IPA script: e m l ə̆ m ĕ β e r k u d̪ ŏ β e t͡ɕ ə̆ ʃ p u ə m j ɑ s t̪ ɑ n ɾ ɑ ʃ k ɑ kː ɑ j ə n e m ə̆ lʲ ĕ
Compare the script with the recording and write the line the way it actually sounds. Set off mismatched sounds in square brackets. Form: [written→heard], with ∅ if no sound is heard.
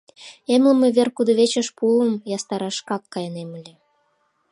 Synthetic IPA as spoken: e m l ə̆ m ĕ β e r k u d̪ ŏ β e t͡ɕ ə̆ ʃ p u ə m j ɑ s t̪ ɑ [n→∅] ɾ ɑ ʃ k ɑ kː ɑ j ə n e m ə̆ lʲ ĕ